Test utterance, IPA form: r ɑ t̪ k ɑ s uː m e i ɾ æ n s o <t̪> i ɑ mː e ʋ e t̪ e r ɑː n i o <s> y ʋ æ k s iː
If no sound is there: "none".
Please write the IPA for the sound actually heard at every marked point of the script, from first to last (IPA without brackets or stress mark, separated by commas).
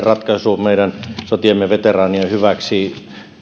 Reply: t̪, h